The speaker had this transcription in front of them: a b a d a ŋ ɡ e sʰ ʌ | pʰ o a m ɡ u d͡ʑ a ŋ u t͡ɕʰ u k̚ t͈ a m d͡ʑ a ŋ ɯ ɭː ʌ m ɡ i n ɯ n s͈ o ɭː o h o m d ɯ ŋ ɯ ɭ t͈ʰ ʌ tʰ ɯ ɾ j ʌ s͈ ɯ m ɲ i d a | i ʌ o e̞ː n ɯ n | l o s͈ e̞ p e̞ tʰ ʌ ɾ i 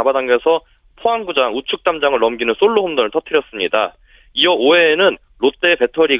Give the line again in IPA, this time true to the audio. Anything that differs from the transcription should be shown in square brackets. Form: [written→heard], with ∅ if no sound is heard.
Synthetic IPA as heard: a b a d a ŋ ɡ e sʰ ʌ | pʰ o a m ɡ u d͡ʑ a ŋ u t͡ɕʰ u k̚ t͈ a m d͡ʑ a ŋ ɯ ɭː ʌ m ɡ i n ɯ n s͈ o ɭː o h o m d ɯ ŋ ɯ ɭ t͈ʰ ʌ tʰ ɯ ɾ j ʌ s͈ ɯ m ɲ i d a | i ʌ o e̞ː n ɯ n | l o [s͈→t͈] e̞ p e̞ tʰ ʌ ɾ i